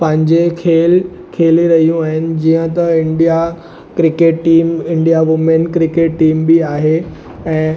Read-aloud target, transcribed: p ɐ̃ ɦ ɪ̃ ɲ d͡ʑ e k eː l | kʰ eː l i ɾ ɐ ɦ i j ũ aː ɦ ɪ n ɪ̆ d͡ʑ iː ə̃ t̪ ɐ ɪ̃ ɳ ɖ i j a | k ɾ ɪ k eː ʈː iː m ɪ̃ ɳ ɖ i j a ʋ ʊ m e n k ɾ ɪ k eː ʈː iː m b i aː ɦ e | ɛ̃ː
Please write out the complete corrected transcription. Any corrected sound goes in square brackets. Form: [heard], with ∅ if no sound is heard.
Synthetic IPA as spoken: p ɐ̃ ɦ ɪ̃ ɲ d͡ʑ e [kʰ] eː l | kʰ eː l i ɾ ɐ ɦ i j ũ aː ɦ ɪ n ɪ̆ d͡ʑ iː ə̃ t̪ ɐ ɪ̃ ɳ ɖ i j a | k ɾ ɪ k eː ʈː iː m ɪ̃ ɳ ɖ i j a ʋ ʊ m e n k ɾ ɪ k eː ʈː iː m b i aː ɦ e | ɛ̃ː